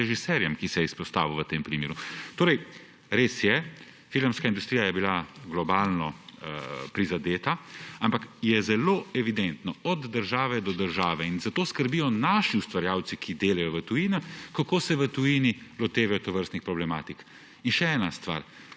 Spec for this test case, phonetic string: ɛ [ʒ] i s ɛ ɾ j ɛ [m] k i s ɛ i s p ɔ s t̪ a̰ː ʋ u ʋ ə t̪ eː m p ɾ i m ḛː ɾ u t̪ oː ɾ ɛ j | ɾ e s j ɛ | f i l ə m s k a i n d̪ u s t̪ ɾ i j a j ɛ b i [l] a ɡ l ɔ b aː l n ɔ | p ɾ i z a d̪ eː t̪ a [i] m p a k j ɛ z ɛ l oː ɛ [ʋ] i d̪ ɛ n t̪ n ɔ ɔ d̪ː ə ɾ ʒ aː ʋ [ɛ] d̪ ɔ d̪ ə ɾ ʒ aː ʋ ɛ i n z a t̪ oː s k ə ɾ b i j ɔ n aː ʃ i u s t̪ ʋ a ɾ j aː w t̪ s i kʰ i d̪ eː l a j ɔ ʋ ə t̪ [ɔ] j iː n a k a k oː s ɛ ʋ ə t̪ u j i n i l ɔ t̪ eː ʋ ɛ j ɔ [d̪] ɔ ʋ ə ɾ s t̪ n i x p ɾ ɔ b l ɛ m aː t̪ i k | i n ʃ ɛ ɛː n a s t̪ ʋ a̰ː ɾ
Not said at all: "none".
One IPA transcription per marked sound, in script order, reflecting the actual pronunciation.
ʒ, m, l, a, ʋ, ɛ, u, t̪

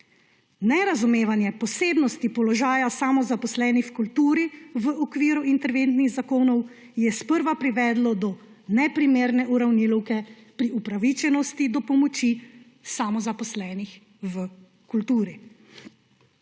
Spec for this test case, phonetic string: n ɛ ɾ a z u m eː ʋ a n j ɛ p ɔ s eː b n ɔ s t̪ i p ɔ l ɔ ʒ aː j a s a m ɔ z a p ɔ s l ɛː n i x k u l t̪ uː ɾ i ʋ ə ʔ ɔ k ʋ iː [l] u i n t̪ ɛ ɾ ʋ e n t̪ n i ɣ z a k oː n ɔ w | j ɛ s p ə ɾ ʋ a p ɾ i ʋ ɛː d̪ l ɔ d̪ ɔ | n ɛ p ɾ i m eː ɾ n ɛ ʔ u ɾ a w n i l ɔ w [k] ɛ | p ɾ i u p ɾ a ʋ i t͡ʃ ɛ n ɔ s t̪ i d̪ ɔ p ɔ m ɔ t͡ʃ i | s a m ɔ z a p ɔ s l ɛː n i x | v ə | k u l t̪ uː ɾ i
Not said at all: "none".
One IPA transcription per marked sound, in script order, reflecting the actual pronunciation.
ɾ, k

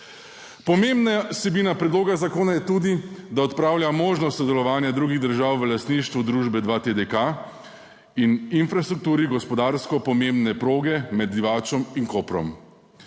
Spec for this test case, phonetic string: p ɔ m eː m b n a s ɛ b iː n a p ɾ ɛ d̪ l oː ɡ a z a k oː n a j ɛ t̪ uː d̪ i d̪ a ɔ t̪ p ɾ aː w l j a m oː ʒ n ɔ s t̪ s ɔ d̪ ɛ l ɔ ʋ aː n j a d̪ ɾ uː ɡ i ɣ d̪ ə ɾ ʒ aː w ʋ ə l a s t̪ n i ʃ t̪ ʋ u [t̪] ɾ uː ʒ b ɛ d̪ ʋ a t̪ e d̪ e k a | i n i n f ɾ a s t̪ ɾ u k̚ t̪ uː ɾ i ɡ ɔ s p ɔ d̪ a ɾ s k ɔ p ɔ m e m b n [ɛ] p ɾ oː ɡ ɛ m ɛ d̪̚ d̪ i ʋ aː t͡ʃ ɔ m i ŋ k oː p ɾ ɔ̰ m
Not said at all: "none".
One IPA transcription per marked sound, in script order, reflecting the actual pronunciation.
d̪, ɛ

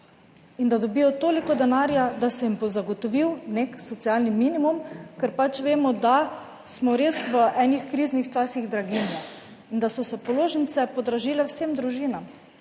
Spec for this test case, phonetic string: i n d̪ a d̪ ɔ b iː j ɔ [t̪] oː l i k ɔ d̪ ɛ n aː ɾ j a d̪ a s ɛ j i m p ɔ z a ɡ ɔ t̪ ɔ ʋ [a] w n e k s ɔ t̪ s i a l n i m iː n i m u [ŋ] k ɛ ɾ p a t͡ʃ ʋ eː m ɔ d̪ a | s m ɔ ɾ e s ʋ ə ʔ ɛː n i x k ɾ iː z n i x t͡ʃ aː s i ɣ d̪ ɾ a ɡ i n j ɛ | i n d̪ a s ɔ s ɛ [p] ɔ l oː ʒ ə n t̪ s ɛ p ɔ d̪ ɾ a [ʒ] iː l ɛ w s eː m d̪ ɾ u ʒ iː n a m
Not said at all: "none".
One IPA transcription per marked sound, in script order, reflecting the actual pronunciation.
t̪, i, m, p, ʒ

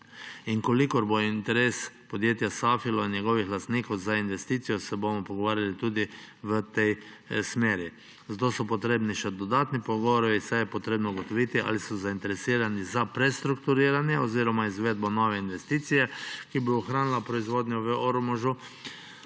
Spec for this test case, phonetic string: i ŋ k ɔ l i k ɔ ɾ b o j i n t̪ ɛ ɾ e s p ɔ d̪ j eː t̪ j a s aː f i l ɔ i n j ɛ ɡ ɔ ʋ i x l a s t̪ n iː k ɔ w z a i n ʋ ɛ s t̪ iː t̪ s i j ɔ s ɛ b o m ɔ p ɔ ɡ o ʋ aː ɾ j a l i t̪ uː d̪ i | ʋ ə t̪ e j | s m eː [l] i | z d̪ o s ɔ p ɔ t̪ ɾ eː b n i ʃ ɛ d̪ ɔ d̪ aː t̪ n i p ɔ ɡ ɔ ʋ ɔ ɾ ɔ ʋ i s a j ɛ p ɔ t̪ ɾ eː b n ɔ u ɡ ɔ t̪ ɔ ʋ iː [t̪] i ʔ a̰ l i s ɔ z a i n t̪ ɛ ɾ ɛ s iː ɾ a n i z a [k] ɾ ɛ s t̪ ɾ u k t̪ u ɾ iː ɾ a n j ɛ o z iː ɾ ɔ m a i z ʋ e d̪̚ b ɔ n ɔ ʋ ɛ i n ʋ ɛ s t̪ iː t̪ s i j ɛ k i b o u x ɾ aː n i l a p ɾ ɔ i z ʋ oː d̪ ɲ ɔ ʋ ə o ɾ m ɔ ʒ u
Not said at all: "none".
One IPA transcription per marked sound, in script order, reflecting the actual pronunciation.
ɾ, t̪, p

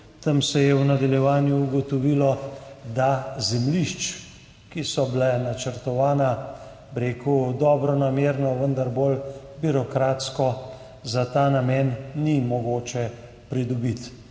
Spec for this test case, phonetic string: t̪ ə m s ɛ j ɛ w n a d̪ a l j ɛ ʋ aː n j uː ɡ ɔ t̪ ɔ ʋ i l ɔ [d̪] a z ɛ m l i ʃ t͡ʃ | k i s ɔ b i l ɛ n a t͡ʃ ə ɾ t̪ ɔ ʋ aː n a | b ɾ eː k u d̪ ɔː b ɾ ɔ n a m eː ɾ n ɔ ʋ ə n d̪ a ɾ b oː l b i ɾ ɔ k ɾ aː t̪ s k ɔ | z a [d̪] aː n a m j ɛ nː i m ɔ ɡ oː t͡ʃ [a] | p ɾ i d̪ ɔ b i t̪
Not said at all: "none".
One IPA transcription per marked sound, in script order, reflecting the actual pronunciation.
d̪, t̪, ɛ

